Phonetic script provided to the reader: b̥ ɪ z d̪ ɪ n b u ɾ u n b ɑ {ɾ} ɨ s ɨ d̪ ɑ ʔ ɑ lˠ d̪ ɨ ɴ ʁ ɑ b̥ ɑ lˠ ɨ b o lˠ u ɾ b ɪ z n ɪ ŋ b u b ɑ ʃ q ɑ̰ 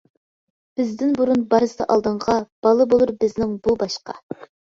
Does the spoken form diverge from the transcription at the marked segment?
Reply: no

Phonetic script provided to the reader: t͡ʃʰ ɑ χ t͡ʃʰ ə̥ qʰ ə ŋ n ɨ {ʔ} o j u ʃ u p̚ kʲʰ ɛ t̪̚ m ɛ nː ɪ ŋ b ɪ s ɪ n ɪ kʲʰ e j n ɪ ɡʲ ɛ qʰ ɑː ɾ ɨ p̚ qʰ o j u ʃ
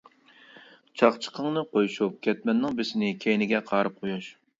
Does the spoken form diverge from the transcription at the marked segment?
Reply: yes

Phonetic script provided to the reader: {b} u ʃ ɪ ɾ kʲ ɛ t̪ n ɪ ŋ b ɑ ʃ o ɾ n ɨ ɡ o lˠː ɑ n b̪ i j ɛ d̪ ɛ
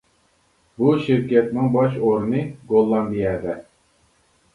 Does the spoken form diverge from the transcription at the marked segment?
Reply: no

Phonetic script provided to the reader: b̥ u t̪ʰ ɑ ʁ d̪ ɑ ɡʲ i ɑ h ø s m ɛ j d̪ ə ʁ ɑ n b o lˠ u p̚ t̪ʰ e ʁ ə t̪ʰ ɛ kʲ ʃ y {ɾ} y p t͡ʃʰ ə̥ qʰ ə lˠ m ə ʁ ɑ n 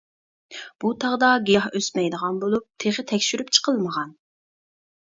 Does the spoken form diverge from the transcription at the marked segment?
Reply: no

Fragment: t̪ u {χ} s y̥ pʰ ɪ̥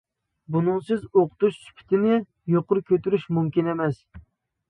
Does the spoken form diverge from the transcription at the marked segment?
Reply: yes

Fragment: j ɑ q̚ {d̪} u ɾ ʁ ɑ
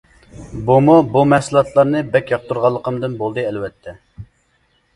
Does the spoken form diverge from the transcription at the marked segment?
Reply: yes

